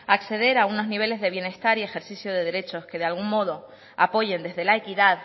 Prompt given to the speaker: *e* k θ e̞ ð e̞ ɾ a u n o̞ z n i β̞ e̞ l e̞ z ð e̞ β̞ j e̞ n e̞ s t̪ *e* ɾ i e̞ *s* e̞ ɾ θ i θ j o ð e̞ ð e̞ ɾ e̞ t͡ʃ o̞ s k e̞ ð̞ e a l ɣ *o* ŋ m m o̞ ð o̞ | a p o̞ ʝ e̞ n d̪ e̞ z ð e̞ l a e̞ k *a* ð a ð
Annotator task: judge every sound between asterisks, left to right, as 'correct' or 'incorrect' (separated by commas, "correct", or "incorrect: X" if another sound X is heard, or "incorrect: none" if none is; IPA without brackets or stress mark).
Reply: incorrect: a, incorrect: a, incorrect: x, incorrect: u, incorrect: i